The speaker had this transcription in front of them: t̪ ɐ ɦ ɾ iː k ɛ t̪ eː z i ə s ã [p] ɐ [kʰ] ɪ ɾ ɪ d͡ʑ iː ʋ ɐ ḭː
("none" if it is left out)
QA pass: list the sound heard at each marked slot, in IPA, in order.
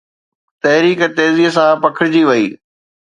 p, kʰ

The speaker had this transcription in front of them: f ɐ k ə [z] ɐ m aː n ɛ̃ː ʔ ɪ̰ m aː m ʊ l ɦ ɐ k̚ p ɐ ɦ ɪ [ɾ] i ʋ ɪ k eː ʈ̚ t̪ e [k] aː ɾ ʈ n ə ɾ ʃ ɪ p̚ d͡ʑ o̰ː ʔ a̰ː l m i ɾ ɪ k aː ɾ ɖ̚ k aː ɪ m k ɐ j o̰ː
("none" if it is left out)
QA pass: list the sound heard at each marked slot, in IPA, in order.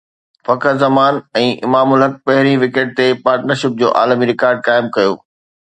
z, ɾ, p

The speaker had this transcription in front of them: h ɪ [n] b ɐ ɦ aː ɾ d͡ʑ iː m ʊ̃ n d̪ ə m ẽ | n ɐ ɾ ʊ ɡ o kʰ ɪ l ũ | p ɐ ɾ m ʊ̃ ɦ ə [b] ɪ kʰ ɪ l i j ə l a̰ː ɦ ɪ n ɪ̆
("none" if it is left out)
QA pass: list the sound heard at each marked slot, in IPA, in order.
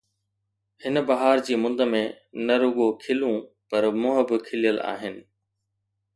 n, b

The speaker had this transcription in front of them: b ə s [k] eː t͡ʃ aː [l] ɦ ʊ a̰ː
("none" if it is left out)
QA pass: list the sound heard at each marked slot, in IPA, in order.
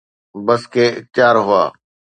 k, ɾ

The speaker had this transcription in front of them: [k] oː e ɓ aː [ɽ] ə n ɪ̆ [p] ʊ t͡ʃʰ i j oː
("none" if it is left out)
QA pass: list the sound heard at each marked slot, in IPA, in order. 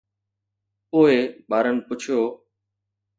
p, ɾ, p

